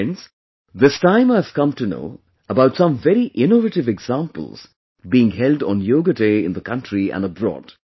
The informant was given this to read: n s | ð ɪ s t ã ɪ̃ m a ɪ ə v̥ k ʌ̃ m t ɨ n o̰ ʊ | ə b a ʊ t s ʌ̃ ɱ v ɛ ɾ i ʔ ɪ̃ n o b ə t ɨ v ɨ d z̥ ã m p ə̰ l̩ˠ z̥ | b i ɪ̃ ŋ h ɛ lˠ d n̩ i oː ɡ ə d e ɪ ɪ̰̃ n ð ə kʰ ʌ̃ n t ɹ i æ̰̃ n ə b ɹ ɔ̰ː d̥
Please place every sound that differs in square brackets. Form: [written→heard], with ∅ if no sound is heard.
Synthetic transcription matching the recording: n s | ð ɪ s t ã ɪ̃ m a ɪ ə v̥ k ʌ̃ m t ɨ n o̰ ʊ | ə b a ʊ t s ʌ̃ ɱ v ɛ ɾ i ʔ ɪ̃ n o [b→v] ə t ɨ v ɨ [d→ɡ] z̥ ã m p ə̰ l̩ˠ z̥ | b i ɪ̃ ŋ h ɛ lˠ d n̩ [i→j] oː ɡ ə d e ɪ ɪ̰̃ n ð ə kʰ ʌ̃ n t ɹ i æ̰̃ n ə b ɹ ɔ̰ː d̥

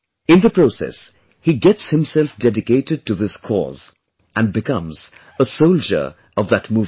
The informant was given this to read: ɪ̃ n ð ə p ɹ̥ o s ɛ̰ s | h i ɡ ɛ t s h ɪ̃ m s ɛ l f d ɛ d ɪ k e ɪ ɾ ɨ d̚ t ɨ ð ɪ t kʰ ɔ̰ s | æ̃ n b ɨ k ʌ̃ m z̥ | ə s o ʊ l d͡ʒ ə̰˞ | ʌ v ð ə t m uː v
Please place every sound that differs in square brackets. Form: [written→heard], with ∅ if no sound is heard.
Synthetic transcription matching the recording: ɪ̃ n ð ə p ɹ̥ o s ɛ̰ s | h i ɡ ɛ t s h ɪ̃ m s ɛ l f d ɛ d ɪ k e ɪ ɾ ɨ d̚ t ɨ ð ɪ [t→s] kʰ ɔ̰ [s→z] | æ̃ n b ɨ k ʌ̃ m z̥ | ə s o ʊ l d͡ʒ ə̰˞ | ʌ v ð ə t m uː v

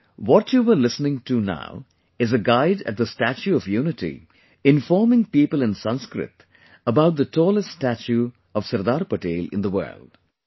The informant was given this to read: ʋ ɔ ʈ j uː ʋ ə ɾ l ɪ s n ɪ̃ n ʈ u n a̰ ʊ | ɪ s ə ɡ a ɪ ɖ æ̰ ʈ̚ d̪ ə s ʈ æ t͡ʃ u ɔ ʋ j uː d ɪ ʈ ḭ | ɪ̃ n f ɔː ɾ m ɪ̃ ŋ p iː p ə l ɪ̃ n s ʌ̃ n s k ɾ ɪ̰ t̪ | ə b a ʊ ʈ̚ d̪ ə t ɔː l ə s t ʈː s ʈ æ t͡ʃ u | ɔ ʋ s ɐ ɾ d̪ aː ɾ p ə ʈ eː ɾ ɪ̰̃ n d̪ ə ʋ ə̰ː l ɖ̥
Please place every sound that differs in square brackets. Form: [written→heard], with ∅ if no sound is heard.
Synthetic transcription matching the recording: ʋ ɔ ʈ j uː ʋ ə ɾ l ɪ s n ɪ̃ [n→ŋ] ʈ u n a̰ ʊ | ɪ [s→z] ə ɡ a ɪ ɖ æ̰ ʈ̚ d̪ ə s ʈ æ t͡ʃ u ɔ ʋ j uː [d→n] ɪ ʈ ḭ | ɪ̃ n f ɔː ɾ m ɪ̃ ŋ p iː p ə l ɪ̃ n s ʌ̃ n s k ɾ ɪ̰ t̪ | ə b a ʊ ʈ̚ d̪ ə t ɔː l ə s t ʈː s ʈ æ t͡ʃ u | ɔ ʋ s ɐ ɾ d̪ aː ɾ p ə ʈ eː [ɾ→l] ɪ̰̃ n d̪ ə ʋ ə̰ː l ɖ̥

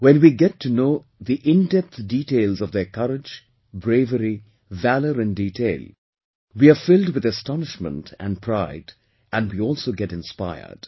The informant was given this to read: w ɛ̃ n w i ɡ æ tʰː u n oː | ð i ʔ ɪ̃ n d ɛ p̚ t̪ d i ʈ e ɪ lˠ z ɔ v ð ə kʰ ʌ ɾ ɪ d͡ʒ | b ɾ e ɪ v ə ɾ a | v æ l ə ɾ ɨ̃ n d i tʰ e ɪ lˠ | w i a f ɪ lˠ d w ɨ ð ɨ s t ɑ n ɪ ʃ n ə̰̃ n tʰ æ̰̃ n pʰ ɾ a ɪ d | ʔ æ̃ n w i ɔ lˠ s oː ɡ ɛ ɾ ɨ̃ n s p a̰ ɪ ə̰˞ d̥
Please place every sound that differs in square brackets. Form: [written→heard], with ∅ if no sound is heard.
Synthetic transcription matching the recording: w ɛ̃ n w i ɡ [æ→ɛ] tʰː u n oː | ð i ʔ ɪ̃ n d ɛ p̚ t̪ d i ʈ e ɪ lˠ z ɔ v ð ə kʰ ʌ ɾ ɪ d͡ʒ | b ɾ e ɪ v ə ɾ [a→i] | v æ l ə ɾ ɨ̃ n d i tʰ e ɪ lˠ | w i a f ɪ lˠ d w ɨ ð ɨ s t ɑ n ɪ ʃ [n→m] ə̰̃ n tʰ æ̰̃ n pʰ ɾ a ɪ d | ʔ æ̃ n w i ɔ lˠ s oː ɡ ɛ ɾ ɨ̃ n s p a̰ ɪ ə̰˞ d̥

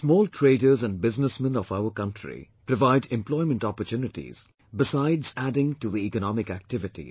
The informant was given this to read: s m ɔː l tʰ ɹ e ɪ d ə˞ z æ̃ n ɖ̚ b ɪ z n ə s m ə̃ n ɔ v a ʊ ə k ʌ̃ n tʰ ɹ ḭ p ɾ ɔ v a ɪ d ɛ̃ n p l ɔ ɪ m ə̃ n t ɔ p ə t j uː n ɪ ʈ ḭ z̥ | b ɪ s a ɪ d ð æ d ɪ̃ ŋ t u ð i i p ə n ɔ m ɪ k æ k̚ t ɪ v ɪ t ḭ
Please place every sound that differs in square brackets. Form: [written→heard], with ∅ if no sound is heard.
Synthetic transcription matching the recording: s m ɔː l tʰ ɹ e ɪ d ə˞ z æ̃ n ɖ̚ b ɪ z n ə s m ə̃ n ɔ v a ʊ ə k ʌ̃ n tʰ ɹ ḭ p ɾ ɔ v a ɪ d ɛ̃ [n→m] p l ɔ ɪ m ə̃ n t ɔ p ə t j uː n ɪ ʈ ḭ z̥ | b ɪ s a ɪ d [ð→z] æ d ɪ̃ ŋ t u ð i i [p→k] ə n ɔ m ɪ k æ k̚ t ɪ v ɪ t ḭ

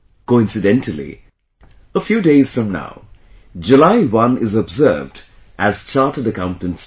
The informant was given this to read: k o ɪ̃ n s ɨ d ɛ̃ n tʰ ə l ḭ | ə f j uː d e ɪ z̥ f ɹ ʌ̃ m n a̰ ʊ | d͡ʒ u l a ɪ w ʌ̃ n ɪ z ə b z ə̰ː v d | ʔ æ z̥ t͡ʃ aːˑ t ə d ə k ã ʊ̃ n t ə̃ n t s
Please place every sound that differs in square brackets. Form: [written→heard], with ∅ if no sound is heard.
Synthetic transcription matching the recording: k o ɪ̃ n s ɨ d ɛ̃ n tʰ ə l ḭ | ə f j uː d e ɪ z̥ f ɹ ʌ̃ m n a̰ ʊ | d͡ʒ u l a ɪ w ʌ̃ n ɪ z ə b z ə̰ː v d | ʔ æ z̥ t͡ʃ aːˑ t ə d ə k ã ʊ̃ n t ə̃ n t s

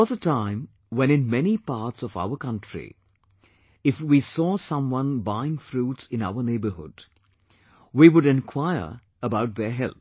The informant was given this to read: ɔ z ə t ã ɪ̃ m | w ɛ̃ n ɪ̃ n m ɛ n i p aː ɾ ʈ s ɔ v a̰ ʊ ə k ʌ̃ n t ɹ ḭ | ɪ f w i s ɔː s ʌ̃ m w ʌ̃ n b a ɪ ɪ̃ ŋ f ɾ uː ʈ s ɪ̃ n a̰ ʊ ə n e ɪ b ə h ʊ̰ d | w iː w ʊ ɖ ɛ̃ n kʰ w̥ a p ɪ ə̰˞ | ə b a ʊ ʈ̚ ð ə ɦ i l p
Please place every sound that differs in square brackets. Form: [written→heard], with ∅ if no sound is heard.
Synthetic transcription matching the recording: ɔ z ə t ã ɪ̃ m | w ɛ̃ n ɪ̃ n m ɛ n i p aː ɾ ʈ s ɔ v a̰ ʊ ə k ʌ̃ n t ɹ ḭ | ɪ f w i s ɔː s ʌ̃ m w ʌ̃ n b a ɪ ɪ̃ ŋ f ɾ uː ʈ s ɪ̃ n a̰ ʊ ə n e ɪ b ə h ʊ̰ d | w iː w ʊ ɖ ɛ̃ n kʰ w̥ a [p→∅] ɪ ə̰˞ | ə b a ʊ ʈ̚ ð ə ɦ [i→ɛ] l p

